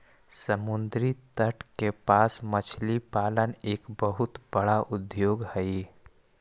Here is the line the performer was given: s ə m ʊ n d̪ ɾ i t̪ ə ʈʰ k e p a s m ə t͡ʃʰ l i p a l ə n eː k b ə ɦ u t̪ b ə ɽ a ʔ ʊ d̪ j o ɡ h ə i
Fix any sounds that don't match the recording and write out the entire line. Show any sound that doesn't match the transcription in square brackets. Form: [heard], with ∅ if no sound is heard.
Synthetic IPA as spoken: s ə m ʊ n d̪ ɾ i t̪ ə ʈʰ k e p a s m ə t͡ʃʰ l i p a l ə n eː k b ə ɦ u t̪ b ə ɽ a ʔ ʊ d̪ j o ɡ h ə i